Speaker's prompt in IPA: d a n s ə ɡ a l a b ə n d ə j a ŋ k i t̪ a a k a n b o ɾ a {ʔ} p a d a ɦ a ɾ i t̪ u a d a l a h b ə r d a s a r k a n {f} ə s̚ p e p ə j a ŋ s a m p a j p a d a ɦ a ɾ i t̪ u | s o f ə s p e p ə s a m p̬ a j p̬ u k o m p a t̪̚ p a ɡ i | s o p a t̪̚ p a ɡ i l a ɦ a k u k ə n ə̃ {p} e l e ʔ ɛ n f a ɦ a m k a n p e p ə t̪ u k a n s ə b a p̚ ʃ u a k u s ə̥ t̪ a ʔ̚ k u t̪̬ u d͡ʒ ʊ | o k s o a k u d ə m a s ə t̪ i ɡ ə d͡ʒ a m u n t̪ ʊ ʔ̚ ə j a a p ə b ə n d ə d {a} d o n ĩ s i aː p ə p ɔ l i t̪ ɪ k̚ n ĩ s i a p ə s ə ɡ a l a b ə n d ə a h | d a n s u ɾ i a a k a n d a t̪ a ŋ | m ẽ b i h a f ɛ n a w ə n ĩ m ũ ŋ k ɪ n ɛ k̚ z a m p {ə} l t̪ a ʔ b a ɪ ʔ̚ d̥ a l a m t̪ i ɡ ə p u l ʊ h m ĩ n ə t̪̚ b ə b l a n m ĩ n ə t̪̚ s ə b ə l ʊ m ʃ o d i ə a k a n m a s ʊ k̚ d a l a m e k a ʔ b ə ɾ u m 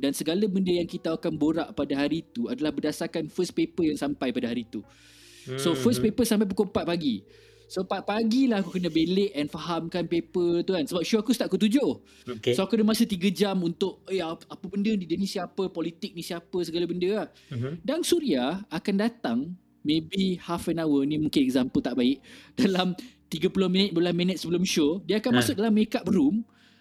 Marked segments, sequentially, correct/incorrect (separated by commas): correct, correct, incorrect, incorrect, correct